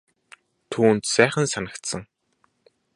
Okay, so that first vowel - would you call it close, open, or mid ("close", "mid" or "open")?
close